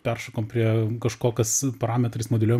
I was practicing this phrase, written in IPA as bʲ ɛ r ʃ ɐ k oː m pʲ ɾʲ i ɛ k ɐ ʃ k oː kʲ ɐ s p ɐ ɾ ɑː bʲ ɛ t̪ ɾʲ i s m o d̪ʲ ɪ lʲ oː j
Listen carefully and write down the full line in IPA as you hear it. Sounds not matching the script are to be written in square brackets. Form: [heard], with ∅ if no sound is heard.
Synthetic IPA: [pʲ] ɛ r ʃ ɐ k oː m pʲ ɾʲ i ɛ k ɐ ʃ k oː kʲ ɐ s p ɐ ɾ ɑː [mʲ] ɛ t̪ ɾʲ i s m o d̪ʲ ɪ lʲ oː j